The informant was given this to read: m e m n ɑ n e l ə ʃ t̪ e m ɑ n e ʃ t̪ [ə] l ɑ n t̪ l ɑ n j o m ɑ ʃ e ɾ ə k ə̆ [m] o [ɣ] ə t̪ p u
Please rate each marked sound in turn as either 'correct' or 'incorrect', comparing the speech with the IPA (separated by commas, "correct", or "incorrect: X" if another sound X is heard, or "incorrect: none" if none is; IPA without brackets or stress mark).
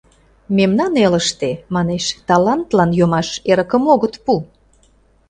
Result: incorrect: ɑ, correct, correct